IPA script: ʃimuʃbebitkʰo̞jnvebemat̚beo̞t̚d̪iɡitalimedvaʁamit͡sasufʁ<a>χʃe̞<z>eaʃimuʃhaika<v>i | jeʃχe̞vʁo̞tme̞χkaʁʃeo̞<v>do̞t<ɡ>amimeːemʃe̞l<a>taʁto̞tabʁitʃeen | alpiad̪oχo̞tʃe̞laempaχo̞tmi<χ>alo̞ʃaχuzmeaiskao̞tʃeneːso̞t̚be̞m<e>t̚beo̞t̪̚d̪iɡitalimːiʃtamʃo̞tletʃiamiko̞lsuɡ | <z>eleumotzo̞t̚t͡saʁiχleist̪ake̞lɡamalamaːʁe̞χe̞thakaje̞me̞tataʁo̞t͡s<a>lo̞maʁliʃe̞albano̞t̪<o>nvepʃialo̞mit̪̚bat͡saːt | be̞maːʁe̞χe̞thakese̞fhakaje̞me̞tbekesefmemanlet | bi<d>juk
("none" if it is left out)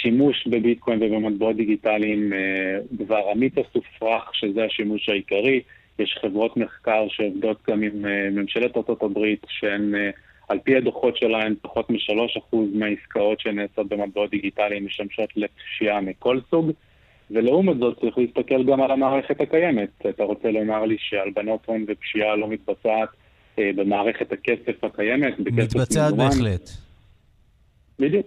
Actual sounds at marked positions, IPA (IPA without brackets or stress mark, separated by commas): a, z, ʁ, v, ɡ, e, ʃ, a, v, e, o, d